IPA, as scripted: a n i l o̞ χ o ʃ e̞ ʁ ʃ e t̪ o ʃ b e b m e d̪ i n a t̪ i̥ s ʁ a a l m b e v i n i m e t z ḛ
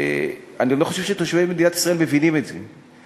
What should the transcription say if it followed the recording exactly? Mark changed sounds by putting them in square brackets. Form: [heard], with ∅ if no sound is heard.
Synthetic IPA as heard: a n i l o̞ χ o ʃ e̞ [v] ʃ e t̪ o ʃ [v] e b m e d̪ i n a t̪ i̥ s ʁ a [e] l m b e v i n i m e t z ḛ